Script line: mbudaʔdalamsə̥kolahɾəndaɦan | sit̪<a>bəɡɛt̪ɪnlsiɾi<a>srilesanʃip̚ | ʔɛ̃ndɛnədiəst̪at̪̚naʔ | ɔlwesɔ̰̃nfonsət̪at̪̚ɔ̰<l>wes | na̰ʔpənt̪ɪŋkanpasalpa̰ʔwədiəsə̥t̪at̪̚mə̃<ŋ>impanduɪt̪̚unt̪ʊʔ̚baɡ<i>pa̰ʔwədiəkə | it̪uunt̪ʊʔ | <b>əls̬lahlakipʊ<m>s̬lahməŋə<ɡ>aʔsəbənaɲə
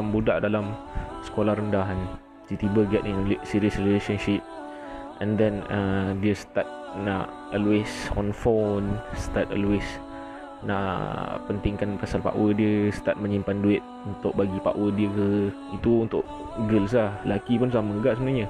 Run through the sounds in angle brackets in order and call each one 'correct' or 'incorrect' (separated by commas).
incorrect, incorrect, correct, incorrect, correct, incorrect, incorrect, correct